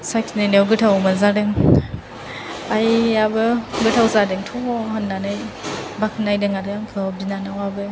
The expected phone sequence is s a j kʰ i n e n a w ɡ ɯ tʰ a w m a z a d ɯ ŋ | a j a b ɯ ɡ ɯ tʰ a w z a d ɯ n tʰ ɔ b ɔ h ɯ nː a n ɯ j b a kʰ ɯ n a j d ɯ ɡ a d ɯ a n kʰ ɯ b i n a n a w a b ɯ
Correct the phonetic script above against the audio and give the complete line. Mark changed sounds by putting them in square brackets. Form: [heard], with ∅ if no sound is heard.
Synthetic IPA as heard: s a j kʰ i n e n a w ɡ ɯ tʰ a w m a z a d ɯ ŋ | a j a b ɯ ɡ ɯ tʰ a w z a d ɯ [ŋ] tʰ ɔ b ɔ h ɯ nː a n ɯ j b a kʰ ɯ n a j d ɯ [ŋ] a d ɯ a [ŋ] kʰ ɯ b i n a n a w a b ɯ